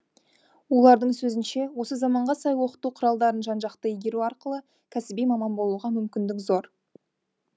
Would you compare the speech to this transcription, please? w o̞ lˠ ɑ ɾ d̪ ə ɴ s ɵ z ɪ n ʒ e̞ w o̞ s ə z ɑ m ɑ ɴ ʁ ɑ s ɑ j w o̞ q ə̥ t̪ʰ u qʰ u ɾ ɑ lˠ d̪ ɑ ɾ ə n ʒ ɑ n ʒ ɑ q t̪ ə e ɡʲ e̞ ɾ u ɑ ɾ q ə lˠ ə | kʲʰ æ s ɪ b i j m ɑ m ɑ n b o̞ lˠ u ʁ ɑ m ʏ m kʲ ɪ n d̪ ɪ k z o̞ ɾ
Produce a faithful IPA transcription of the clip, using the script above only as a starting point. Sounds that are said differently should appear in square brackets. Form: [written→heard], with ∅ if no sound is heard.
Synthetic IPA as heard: w o̞ lˠ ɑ ɾ d̪ ə ɴ s ɵ z ɪ n [ʒ→ʃ] e̞ w o̞ s ə z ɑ m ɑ ɴ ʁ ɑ s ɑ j w o̞ q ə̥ [t̪ʰ→t̪] u qʰ [u→ʊ] ɾ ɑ lˠ d̪ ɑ ɾ ə n ʒ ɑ n ʒ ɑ q t̪ ə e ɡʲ e̞ ɾ u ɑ ɾ q ə lˠ ə | kʲʰ æ s ɪ b i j m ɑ m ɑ n b o̞ lˠ u ʁ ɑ m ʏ m kʲ ɪ n d̪ ɪ k z o̞ ɾ

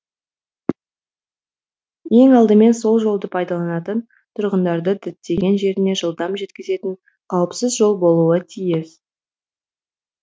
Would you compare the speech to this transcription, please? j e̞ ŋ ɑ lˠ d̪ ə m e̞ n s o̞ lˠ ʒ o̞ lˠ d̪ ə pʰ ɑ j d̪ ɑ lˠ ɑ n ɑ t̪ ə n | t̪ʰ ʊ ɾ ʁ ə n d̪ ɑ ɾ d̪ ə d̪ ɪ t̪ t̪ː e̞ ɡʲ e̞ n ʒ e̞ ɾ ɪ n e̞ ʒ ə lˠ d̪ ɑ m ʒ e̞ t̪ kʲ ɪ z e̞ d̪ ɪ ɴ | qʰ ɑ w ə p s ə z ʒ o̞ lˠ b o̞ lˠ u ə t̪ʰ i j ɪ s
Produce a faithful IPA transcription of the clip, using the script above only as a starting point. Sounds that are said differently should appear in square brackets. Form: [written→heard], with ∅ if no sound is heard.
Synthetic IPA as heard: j e̞ ŋ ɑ lˠ d̪ ə m e̞ n s o̞ lˠ ʒ o̞ lˠ d̪ ə pʰ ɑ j d̪ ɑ lˠ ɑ n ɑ t̪ ə n | t̪ʰ ʊ ɾ ʁ ə n d̪ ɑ ɾ d̪ ə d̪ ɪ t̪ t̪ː e̞ ɡʲ e̞ n ʒ e̞ ɾ ɪ n e̞ ʒ ə lˠ d̪ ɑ m ʒ e̞ t̪ kʲ ɪ z e̞ [d̪→t̪] ɪ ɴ | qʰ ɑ w ə p s ə z ʒ o̞ lˠ b o̞ lˠ u ə t̪ʰ i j ɪ s

